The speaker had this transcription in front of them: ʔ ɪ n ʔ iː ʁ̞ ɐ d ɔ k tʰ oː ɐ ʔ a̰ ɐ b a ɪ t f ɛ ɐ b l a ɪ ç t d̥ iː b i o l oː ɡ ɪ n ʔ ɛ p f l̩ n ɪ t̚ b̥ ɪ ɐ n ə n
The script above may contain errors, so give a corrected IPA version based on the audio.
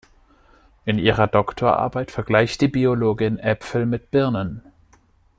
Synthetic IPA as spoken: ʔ ɪ n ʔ iː ʁ̞ ɐ d ɔ k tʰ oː ɐ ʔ a̰ ɐ b a ɪ t f ɛ ɐ ɡ l a ɪ ç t d̥ iː b i o l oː ɡ ɪ n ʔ ɛ p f l̩ m ɪ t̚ b̥ ɪ ɐ n ə n